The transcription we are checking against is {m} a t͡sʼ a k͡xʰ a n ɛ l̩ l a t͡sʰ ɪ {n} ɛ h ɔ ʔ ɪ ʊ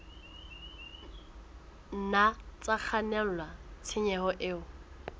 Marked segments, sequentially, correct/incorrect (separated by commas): incorrect, incorrect